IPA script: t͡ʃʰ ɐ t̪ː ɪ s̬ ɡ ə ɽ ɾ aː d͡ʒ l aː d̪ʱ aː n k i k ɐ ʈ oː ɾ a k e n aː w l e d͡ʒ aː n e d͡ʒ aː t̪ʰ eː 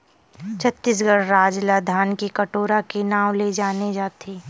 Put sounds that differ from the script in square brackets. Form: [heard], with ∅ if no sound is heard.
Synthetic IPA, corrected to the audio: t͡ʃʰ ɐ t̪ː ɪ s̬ ɡ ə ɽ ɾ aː d͡ʒ l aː d̪ʱ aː n k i k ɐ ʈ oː ɾ a k e n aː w l e d͡ʒ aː n e d͡ʒ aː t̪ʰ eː